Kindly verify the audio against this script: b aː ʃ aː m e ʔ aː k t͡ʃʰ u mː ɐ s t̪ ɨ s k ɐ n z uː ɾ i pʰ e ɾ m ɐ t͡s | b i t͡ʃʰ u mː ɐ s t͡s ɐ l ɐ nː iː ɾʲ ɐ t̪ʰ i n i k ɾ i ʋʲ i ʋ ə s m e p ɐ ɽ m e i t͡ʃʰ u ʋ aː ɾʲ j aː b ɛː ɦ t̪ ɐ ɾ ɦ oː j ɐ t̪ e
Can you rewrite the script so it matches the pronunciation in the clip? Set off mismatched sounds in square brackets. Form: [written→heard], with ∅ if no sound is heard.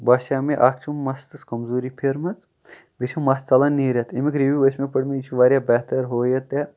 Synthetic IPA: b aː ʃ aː m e ʔ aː k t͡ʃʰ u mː ɐ s t̪ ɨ s k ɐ [n→m] z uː ɾ i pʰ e ɾ m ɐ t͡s | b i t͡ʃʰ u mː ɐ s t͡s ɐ l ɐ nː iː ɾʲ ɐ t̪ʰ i [n→m] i k ɾ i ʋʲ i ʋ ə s m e p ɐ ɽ m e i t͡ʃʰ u ʋ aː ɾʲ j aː b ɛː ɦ t̪ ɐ ɾ ɦ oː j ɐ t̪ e